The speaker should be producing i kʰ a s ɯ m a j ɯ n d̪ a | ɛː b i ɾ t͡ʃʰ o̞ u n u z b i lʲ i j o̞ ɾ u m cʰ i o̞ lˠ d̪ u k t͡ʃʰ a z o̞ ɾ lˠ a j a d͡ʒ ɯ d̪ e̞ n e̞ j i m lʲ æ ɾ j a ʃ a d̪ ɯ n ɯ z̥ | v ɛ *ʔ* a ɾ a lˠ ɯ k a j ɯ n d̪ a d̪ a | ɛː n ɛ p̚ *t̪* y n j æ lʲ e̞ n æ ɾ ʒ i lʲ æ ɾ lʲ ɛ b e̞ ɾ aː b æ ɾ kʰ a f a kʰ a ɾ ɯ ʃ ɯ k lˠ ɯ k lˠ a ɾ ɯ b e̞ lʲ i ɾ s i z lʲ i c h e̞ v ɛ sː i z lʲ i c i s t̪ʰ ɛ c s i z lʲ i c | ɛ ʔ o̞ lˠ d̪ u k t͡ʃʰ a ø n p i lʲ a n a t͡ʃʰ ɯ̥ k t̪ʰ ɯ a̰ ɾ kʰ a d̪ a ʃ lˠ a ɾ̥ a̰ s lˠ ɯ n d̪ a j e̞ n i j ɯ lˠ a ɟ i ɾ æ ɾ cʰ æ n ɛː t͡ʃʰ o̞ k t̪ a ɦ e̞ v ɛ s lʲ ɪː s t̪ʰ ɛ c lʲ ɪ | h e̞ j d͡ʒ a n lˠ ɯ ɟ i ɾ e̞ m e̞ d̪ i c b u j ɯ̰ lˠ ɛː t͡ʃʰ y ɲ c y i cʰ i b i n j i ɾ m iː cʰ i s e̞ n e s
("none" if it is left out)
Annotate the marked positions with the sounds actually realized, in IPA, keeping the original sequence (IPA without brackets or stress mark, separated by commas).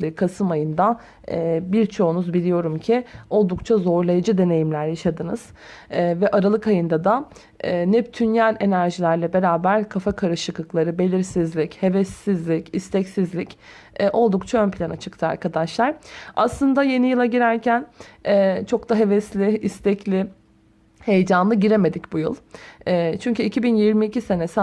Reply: ʔ, t̪ʰ